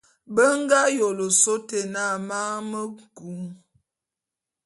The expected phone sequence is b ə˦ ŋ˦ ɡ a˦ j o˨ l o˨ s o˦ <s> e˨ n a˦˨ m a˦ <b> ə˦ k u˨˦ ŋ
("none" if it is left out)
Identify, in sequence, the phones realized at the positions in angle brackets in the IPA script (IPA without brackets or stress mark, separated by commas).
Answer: t, m